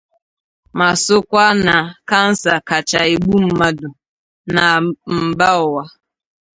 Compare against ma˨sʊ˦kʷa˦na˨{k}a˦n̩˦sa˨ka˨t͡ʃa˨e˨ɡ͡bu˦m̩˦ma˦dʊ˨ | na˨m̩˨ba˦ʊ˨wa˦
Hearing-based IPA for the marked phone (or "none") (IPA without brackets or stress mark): k